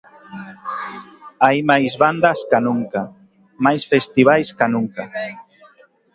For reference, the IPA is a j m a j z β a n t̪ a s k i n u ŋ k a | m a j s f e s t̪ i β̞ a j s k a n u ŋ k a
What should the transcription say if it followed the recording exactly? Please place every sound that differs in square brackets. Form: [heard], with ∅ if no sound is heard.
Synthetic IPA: a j m a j z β a n [d̪] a s k [a] n u ŋ k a | m a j s f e s t̪ i β̞ a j s k a n u ŋ k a